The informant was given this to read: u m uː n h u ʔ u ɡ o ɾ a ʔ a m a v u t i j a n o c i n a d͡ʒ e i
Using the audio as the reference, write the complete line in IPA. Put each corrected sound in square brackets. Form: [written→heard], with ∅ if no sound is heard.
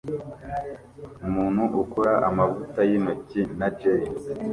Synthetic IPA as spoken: u m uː n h u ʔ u [ɡ→k] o ɾ a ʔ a m a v u t [i→a] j [a→i] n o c i n a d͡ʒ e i